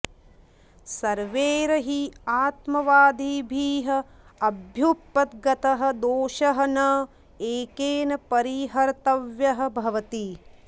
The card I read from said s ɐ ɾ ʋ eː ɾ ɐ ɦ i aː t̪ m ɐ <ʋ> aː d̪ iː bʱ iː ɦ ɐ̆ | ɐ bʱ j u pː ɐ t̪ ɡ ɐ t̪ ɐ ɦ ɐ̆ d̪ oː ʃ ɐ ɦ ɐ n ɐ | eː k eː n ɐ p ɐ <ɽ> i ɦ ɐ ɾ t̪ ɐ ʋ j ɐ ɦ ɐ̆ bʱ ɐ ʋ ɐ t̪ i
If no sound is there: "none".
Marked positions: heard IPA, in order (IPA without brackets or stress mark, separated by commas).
ʋ, ɾ